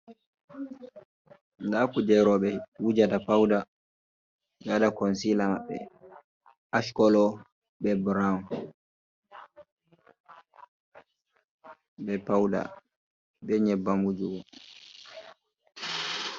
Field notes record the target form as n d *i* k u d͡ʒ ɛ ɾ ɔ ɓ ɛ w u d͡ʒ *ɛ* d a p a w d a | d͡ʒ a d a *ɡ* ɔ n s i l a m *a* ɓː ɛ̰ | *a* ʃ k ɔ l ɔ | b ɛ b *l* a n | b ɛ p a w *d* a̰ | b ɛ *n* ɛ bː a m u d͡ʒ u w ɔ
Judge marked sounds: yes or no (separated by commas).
no, no, no, yes, yes, no, yes, no